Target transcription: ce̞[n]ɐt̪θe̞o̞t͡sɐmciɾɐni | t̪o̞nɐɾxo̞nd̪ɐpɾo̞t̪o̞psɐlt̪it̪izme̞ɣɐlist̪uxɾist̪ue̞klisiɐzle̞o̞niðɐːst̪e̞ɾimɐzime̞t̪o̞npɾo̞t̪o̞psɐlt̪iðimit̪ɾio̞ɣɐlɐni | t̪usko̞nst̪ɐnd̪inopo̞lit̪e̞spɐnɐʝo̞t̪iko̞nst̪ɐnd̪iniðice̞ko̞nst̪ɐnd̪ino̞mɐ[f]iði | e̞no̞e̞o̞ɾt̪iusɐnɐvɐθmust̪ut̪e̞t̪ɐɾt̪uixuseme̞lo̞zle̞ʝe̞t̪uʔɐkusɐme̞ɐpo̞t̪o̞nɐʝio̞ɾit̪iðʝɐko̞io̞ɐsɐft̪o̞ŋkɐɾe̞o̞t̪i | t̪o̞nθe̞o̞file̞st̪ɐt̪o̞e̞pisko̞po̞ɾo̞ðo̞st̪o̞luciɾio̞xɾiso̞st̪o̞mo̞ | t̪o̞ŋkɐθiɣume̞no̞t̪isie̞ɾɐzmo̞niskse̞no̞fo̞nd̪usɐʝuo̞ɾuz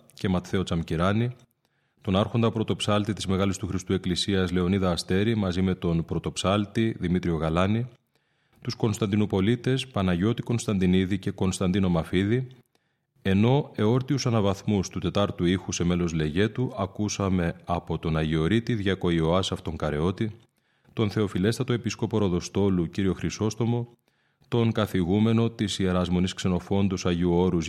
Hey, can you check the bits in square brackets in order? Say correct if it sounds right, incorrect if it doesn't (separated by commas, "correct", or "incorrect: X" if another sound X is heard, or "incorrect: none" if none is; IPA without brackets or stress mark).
incorrect: m, correct